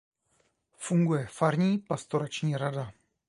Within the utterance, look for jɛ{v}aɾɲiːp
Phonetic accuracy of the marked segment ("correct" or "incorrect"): incorrect